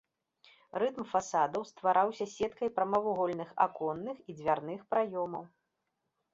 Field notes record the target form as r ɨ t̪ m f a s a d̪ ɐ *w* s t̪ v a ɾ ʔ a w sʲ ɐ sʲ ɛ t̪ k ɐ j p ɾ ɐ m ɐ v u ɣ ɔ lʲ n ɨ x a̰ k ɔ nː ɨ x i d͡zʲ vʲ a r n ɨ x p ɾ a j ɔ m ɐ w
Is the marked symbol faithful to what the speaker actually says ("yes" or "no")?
yes